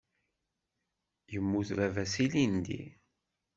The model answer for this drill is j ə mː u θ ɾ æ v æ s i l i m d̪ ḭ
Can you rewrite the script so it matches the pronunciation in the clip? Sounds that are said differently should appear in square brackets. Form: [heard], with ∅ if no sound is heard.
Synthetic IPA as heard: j ə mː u θ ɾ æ v æ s i l i [n] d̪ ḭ